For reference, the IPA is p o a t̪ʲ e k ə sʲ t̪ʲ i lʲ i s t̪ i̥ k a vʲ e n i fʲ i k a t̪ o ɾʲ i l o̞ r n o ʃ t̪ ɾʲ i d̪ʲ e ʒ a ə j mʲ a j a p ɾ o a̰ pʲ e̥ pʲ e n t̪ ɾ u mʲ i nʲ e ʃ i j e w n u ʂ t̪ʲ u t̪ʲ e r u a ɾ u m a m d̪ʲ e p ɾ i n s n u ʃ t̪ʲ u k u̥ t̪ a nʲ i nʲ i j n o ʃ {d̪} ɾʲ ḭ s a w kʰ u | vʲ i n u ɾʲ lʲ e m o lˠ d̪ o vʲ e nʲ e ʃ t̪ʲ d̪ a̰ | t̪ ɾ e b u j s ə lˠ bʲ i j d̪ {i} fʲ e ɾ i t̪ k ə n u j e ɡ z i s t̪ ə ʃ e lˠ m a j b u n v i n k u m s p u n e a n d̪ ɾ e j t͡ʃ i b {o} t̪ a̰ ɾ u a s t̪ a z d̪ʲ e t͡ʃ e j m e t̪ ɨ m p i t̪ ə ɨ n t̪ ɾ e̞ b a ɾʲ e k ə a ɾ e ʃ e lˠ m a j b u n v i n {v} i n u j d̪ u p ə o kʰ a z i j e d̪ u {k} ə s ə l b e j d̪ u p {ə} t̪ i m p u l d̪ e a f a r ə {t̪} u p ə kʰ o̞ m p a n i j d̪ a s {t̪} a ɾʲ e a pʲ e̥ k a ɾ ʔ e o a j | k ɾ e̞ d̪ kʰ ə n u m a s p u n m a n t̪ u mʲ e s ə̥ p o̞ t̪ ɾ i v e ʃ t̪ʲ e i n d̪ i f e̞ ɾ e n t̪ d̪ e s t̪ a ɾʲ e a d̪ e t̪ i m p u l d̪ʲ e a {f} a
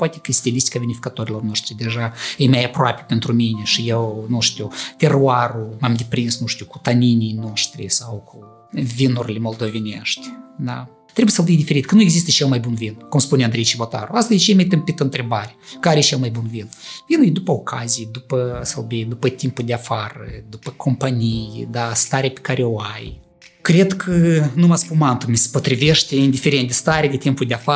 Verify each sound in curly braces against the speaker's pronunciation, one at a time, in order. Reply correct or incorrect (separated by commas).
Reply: incorrect, correct, correct, correct, incorrect, correct, incorrect, correct, correct